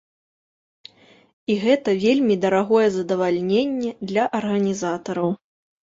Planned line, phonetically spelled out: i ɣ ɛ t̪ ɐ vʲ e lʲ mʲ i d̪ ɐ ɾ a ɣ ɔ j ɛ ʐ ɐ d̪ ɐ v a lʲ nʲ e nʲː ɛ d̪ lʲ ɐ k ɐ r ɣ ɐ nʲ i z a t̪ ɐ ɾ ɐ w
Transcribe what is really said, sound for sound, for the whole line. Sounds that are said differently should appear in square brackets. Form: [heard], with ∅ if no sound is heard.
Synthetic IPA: i ɣ ɛ t̪ ɐ vʲ e lʲ mʲ i d̪ ɐ ɾ a ɣ ɔ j ɛ [z] ɐ d̪ ɐ v a lʲ nʲ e nʲː ɛ d̪ lʲ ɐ [ʔ] ɐ r ɣ ɐ nʲ i z a t̪ ɐ ɾ ɐ w

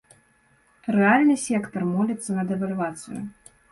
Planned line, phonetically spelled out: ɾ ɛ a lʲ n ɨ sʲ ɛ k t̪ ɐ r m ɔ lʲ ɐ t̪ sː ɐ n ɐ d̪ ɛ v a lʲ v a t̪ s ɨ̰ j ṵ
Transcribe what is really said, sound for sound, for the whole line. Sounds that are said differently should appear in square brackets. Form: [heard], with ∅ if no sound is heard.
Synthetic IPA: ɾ ɛ a lʲ n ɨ sʲ ɛ k t̪ ɐ r m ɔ lʲ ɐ t̪ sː ɐ n ɐ d̪ ɛ v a lʲ v a t̪ s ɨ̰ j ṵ

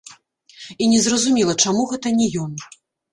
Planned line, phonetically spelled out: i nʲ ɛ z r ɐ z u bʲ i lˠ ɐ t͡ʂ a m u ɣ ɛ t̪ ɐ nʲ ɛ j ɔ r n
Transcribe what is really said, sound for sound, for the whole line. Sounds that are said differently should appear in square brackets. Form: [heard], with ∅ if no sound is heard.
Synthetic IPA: i nʲ ɛ z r ɐ z u [mʲ] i lˠ ɐ t͡ʂ a m u ɣ ɛ t̪ ɐ nʲ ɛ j ɔ [∅] n

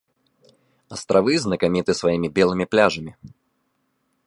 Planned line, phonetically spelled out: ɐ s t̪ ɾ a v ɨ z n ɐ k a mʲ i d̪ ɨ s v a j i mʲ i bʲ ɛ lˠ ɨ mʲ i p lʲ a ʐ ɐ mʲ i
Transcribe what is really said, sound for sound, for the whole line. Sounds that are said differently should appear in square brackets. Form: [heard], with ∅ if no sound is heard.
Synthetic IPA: ɐ s t̪ ɾ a v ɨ z n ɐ k a mʲ i [t̪] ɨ s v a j i mʲ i bʲ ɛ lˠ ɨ mʲ i p lʲ a ʐ ɐ mʲ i

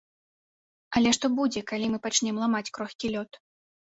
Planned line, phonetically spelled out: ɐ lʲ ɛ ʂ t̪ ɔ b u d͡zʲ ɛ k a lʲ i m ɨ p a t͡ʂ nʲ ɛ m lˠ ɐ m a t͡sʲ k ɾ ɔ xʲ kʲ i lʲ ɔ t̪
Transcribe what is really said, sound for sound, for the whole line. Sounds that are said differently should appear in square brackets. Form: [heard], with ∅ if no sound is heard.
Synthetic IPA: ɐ lʲ ɛ ʂ t̪ ɔ b u d͡zʲ ɛ k a lʲ i m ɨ p a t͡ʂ nʲ ɛ m lˠ [a] m a t͡sʲ k ɾ ɔ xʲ kʲ i lʲ ɔ t̪

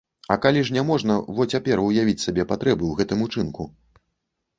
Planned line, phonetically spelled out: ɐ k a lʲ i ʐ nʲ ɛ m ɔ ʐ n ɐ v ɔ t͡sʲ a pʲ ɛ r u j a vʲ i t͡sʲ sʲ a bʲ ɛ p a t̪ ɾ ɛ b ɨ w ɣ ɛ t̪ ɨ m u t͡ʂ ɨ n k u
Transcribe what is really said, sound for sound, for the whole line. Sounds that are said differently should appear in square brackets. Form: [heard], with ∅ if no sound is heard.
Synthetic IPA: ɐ k a lʲ i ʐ nʲ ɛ m ɔ ʐ n ɐ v ɔ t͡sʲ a pʲ ɛ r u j a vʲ i t͡sʲ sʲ a bʲ ɛ p a t̪ ɾ ɛ b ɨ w ɣ ɛ t̪ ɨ m u t͡ʂ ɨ n k u

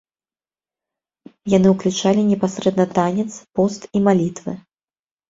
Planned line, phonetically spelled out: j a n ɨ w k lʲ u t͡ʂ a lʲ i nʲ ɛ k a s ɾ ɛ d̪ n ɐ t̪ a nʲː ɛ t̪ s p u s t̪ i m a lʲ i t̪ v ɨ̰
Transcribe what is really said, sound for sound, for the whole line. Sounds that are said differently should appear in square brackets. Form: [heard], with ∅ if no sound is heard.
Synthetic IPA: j a n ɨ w k lʲ u t͡ʂ a lʲ i nʲ ɛ [p] a s ɾ ɛ d̪ n ɐ t̪ a [nʲ] ɛ t̪ s p [ɔ] s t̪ i m a lʲ i t̪ v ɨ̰

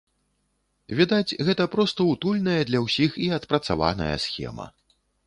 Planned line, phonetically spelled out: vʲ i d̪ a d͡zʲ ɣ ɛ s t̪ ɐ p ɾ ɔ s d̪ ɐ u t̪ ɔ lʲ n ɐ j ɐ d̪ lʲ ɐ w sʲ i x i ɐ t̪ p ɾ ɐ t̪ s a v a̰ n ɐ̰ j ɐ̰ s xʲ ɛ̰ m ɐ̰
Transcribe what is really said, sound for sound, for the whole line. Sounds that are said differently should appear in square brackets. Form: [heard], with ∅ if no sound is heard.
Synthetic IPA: vʲ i d̪ a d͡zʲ ɣ ɛ [∅] t̪ ɐ p ɾ ɔ s [t̪] ɐ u t̪ [u] lʲ n ɐ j ɐ d̪ lʲ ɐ w sʲ i x i ɐ t̪ p ɾ ɐ t̪ s a v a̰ n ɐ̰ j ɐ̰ s xʲ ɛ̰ m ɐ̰

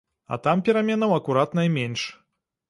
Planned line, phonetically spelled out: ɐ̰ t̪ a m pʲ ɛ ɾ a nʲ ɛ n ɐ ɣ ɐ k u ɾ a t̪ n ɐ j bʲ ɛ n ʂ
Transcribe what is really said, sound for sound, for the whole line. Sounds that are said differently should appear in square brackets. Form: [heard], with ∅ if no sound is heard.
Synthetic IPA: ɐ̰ t̪ a m pʲ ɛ ɾ a [mʲ] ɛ n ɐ [w] ɐ k u ɾ a t̪ n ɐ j [mʲ] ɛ n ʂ

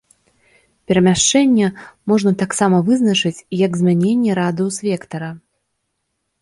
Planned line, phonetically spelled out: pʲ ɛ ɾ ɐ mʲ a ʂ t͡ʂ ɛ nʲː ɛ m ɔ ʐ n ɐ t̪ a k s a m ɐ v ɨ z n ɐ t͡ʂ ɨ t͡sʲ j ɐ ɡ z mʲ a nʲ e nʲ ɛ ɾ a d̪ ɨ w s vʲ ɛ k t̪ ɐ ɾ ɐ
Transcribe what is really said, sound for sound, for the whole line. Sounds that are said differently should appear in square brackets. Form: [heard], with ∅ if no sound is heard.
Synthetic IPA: pʲ ɛ ɾ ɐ mʲ a ʂ t͡ʂ ɛ nʲː ɛ m ɔ ʐ n ɐ t̪ a k s a m ɐ v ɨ z n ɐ t͡ʂ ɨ t͡sʲ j ɐ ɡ z mʲ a nʲ e [nʲː] ɛ ɾ a d̪ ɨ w s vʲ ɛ k t̪ ɐ ɾ ɐ

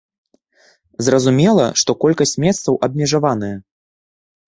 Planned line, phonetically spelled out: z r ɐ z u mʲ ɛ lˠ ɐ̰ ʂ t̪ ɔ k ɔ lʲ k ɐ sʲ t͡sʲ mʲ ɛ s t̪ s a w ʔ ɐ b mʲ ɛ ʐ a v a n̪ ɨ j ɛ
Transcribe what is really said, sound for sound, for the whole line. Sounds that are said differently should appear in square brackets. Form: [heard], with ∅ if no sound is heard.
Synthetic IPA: z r ɐ z u mʲ ɛ lˠ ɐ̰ ʂ t̪ ɔ k ɔ lʲ k ɐ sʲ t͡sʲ mʲ ɛ s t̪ s [ɐ] w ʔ ɐ b mʲ ɛ ʐ a v a n̪ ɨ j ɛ

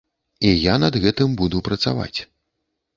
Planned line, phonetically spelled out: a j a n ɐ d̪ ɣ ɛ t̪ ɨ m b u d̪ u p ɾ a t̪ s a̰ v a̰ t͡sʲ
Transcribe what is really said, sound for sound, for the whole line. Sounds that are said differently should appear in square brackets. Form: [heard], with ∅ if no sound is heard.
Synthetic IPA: [i] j a n ɐ d̪ ɣ ɛ t̪ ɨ m b u d̪ u p ɾ [ɐ] t̪ s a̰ v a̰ t͡sʲ

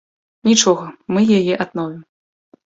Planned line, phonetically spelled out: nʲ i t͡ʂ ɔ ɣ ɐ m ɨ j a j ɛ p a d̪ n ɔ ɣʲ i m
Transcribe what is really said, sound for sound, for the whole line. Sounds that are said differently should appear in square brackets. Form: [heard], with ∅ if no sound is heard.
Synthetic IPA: nʲ i t͡ʂ ɔ ɣ ɐ m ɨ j a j ɛ [ʔ] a d̪ n ɔ [vʲ] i m

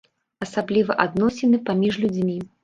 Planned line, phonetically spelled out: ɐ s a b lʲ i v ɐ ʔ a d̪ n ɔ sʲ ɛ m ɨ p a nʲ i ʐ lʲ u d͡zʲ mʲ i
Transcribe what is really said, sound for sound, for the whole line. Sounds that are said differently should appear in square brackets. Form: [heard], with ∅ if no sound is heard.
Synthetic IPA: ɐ s a b lʲ i v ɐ ʔ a d̪ n ɔ sʲ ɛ [n] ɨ p a [mʲ] i ʐ lʲ u d͡zʲ mʲ i

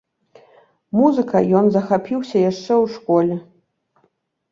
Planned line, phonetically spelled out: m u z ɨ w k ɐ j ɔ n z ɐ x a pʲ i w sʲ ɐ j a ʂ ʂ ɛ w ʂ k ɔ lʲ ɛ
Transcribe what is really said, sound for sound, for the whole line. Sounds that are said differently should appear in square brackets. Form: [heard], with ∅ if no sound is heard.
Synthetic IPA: m u z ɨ [∅] k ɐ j ɔ n z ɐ x a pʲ i w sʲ ɐ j a ʂ [t͡ʂ] ɛ w ʂ k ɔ lʲ ɛ

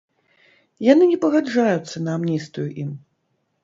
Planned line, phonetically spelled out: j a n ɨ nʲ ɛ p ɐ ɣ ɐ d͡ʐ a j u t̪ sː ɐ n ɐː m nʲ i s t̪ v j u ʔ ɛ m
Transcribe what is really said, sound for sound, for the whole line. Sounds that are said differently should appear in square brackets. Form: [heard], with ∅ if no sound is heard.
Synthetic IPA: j a n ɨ nʲ ɛ p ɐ ɣ [a] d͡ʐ a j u t̪ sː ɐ n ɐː m nʲ i s t̪ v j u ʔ [i] m

